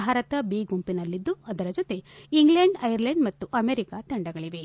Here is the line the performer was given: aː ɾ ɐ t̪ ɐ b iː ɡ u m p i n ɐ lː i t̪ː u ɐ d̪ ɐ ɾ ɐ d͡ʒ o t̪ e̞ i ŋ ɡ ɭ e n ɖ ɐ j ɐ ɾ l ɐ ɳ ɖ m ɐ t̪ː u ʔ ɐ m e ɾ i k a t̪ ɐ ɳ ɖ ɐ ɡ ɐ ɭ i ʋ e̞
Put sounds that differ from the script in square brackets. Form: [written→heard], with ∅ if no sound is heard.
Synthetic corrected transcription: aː ɾ ɐ t̪ ɐ b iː ɡ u m p i n ɐ lː i [t̪ː→d̪ː] u ɐ d̪ ɐ ɾ ɐ d͡ʒ o t̪ e̞ i ŋ ɡ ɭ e [n→ɳ] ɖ ɐ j ɐ ɾ l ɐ ɳ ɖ m ɐ t̪ː u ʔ ɐ m e ɾ i k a t̪ ɐ ɳ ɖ ɐ ɡ ɐ ɭ i ʋ e̞